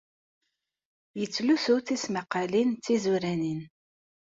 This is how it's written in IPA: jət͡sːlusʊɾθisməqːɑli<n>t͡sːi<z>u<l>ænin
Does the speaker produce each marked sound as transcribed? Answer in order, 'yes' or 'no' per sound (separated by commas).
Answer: yes, yes, no